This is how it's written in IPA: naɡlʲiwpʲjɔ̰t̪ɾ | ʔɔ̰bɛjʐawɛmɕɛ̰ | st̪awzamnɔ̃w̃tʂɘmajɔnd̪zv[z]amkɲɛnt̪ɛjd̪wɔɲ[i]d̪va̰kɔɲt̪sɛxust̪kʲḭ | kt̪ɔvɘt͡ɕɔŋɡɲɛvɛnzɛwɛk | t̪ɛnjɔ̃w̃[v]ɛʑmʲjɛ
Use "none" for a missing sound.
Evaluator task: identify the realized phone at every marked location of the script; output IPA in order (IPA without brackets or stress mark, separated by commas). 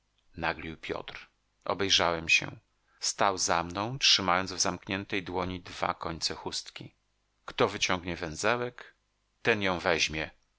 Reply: z, i, v